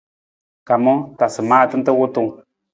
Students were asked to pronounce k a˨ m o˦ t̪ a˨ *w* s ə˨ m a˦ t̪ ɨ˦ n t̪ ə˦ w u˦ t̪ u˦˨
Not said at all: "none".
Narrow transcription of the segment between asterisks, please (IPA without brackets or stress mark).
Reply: none